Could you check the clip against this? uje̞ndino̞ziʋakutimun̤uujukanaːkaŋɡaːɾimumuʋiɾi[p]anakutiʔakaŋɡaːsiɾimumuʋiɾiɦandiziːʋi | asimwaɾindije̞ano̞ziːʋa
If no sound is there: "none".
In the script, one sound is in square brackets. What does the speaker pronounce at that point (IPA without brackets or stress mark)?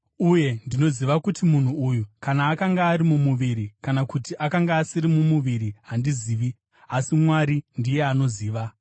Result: k